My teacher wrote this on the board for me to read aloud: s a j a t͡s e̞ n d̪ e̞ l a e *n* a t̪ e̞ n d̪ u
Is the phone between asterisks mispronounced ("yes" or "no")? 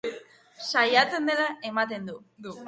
yes